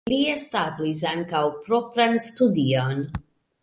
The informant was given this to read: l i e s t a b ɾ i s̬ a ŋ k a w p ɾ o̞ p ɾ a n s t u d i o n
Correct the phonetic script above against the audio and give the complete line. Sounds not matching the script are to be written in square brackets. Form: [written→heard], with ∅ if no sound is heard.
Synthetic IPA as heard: l i e s t a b [ɾ→l] i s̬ a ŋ k a w p ɾ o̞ p ɾ a n s t u d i o n